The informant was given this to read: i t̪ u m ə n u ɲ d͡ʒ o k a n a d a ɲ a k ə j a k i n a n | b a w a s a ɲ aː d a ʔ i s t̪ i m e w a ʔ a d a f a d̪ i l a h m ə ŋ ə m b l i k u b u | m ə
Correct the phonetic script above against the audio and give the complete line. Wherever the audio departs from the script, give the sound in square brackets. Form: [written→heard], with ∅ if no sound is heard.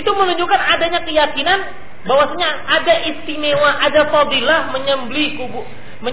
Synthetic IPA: i t̪ u m ə n u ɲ d͡ʒ [o→u] k a n a d a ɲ a k ə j a k i n a n | b a w a s a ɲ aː d a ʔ i s t̪ i m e w a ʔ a d a f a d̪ i l a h m ə [ŋ→ɲ] ə m b l i k u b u | m ə